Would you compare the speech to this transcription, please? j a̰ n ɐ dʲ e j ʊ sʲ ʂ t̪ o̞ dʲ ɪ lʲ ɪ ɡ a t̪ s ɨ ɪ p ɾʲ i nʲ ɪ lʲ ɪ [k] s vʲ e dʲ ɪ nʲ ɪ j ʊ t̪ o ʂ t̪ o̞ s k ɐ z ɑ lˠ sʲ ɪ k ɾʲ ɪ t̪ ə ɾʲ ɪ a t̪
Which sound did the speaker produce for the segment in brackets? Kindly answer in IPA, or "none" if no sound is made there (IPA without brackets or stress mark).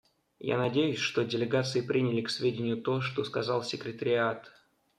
k